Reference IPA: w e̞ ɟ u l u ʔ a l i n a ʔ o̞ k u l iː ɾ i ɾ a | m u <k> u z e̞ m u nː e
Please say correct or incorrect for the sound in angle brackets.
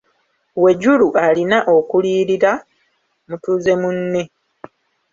incorrect: t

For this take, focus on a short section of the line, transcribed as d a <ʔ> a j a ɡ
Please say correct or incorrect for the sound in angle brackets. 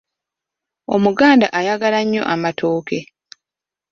correct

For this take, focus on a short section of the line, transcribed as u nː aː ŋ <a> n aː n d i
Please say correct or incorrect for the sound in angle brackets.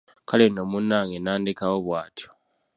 incorrect: e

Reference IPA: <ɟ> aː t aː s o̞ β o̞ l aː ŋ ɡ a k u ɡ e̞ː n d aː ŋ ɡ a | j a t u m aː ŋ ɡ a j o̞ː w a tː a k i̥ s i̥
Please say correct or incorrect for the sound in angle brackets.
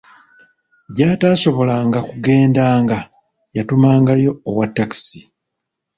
correct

